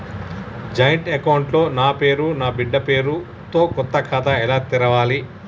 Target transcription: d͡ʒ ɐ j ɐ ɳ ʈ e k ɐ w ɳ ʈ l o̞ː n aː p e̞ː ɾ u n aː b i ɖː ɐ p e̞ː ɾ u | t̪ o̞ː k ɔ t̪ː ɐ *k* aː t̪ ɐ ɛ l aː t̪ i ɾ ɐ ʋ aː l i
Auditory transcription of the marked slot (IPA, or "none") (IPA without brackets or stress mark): kʰ